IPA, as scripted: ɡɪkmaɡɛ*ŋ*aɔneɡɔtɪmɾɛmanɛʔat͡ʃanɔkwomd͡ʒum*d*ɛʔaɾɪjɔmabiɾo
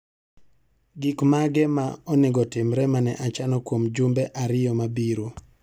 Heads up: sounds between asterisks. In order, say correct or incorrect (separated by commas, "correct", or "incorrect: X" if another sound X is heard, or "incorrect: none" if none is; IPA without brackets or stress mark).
incorrect: m, incorrect: b